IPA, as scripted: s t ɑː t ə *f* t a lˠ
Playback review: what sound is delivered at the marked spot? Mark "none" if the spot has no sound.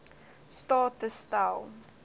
s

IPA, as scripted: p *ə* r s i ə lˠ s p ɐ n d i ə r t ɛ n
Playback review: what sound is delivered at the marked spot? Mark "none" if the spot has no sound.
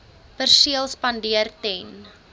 ə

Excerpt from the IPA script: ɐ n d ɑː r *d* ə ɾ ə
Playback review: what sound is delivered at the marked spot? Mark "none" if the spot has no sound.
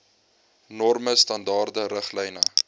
d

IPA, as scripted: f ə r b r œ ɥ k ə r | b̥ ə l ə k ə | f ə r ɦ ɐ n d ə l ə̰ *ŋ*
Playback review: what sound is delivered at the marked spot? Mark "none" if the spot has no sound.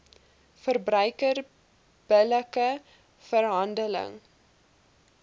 ŋ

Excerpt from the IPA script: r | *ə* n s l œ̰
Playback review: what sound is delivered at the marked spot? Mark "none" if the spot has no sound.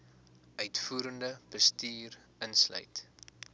ə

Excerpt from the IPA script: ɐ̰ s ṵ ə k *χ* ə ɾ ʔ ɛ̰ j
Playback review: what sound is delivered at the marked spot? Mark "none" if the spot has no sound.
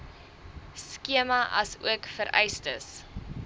f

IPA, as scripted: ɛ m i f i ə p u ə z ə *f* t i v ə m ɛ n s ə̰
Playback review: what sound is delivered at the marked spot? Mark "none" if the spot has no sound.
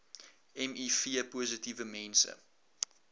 none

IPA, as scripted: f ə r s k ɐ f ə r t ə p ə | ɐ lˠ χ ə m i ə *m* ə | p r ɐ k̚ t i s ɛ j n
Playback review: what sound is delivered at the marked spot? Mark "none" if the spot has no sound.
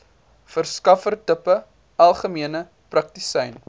n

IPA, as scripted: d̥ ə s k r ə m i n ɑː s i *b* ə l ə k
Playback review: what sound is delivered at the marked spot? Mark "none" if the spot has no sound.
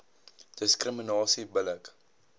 b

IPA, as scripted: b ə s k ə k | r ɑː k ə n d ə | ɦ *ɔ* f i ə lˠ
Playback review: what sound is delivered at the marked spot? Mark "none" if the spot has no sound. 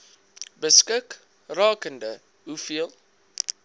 u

